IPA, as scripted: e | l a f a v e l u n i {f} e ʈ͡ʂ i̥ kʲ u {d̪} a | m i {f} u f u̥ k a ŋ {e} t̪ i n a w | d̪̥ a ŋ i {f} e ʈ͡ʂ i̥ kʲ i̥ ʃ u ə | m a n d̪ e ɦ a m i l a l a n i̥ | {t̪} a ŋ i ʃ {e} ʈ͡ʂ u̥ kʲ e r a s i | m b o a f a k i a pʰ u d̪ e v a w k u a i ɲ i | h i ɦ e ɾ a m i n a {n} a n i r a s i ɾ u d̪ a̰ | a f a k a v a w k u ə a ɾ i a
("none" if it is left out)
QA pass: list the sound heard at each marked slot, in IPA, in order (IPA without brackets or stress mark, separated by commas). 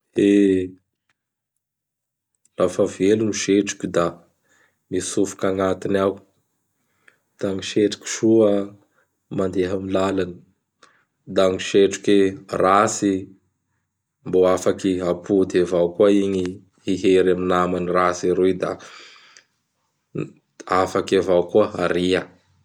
ʃ, d̪, s, a, ʃ, d̪, e, m